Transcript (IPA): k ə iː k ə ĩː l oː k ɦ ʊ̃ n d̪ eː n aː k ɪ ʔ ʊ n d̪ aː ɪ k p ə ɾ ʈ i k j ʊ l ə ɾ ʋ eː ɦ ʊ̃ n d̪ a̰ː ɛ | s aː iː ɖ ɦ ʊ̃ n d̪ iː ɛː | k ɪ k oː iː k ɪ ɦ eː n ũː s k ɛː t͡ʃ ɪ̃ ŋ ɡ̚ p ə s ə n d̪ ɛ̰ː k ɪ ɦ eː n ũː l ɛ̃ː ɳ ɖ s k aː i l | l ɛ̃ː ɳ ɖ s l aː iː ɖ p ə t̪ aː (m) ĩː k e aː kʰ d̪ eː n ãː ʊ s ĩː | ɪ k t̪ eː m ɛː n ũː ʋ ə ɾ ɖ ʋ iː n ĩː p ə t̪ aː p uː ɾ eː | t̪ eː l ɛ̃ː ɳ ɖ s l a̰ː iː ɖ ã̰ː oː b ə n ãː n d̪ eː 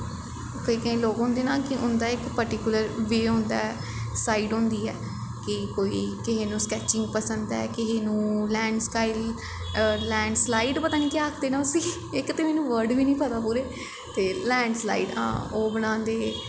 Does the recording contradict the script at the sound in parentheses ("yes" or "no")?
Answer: yes